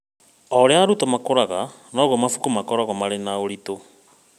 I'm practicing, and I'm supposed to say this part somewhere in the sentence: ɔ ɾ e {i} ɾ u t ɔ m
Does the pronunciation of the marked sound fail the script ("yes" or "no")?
yes